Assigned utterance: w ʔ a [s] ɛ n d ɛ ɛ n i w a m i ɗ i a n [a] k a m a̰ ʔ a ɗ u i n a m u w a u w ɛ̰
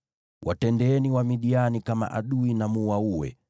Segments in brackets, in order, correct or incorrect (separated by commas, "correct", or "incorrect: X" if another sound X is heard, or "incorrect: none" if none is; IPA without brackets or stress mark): incorrect: t, incorrect: i